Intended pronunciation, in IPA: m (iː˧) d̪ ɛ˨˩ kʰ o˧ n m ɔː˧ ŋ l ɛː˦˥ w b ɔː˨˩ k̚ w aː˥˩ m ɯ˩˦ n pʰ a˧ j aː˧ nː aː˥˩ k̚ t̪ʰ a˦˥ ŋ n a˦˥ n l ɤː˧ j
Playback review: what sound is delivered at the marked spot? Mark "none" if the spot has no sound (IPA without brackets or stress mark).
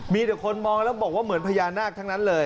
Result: iː˧